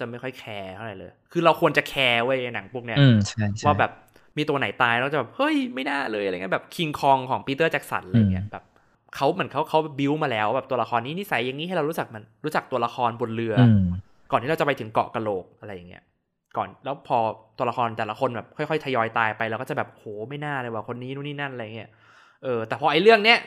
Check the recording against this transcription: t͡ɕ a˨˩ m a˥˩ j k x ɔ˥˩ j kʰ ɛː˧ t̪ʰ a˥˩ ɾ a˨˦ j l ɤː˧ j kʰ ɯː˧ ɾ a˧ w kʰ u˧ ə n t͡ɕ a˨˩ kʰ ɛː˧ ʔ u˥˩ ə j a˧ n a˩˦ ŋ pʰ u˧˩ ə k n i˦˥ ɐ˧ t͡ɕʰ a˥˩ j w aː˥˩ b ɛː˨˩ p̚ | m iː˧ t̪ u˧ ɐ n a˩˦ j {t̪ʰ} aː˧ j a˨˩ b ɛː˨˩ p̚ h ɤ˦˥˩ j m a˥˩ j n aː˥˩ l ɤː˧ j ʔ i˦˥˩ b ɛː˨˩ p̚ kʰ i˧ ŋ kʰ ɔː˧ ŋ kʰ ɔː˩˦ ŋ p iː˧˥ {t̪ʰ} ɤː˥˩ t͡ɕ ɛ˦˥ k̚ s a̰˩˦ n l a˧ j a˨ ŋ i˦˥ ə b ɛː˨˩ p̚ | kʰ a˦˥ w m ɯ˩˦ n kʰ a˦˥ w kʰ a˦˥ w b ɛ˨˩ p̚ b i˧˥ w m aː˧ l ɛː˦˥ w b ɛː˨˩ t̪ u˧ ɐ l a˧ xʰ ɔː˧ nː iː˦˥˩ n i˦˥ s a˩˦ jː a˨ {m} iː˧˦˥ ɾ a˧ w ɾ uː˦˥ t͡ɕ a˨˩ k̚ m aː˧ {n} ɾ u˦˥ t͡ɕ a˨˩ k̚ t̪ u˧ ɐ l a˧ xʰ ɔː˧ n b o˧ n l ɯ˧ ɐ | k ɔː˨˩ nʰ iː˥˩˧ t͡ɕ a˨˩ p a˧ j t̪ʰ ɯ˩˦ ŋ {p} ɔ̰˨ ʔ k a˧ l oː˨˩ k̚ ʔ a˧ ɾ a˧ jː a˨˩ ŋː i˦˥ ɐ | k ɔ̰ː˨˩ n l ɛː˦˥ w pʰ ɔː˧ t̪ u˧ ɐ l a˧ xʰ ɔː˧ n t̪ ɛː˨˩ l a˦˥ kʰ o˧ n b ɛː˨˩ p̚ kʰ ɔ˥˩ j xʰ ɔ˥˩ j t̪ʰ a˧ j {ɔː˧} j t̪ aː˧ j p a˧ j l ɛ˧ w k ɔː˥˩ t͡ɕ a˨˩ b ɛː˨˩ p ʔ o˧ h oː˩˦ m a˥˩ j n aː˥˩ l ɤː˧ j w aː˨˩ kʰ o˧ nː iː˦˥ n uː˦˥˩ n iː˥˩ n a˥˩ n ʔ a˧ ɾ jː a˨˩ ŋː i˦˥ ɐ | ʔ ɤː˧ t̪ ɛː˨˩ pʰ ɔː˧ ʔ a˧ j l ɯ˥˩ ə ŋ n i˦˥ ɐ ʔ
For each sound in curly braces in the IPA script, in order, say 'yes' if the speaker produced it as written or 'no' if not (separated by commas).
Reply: no, no, no, yes, no, yes